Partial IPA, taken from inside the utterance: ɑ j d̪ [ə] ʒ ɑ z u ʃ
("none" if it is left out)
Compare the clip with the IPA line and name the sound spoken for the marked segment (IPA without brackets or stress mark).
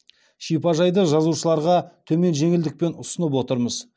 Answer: ə